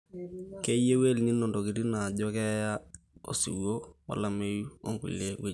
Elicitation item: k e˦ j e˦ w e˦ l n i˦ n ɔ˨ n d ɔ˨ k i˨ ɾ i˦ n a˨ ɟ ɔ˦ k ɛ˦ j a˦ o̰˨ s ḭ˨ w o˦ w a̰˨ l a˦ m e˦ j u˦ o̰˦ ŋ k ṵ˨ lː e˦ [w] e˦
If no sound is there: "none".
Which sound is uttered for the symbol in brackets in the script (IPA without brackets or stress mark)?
w